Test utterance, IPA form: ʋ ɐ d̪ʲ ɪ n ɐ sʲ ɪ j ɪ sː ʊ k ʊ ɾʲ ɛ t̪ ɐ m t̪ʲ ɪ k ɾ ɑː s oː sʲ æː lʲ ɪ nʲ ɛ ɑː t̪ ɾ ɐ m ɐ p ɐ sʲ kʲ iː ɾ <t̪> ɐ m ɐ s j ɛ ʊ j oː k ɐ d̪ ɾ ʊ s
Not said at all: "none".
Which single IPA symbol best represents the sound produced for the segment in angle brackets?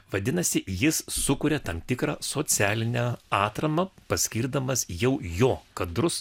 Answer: d̪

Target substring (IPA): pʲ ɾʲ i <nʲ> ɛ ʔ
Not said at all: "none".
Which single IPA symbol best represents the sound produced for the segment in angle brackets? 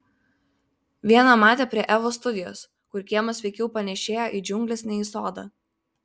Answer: none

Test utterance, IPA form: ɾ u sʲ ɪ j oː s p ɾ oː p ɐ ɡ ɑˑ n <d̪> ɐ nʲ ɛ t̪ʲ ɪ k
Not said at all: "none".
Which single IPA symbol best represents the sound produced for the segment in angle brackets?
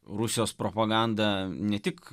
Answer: d̪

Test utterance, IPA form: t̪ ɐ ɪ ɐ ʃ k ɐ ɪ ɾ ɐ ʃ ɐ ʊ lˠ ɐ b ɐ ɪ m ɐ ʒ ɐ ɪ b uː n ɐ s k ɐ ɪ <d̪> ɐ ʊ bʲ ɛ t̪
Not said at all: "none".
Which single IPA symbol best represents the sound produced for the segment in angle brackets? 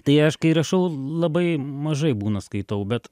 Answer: t̪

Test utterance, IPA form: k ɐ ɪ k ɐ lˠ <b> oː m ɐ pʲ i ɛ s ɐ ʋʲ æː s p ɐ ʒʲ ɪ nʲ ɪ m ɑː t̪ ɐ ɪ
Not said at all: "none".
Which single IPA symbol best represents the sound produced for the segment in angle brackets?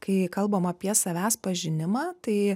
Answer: b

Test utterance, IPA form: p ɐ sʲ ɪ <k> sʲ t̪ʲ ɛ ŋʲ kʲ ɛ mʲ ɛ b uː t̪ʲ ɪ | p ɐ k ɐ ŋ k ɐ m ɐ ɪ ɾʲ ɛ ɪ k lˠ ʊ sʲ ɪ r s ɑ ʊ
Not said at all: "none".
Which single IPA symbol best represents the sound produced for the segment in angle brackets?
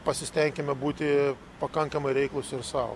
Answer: none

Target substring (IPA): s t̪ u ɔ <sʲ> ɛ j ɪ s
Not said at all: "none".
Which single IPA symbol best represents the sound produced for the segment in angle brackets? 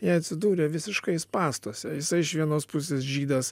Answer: sʲ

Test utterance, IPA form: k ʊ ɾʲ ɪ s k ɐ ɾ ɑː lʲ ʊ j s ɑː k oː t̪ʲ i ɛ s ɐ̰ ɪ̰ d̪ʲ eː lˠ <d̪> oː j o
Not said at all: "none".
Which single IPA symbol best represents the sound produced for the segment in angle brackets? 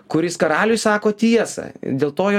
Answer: t̪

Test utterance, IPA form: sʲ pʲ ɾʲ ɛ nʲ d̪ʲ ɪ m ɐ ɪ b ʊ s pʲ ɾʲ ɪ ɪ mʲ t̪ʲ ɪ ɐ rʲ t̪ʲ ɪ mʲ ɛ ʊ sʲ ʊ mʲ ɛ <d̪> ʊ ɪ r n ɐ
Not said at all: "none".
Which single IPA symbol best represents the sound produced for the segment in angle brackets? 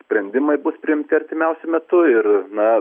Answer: t̪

